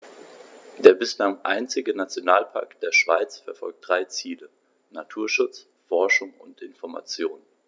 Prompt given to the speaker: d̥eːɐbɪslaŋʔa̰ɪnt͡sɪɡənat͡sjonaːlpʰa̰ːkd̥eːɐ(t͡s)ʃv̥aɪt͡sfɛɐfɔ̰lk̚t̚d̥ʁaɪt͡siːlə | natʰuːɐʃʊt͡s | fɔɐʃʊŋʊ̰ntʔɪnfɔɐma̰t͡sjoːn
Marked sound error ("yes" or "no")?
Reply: yes